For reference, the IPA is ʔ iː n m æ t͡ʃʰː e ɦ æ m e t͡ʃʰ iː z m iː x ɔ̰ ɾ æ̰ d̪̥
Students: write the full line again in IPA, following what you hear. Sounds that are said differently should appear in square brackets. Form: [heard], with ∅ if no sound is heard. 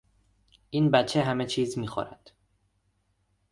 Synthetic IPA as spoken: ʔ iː n [b] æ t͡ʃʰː e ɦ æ m e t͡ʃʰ iː z m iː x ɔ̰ ɾ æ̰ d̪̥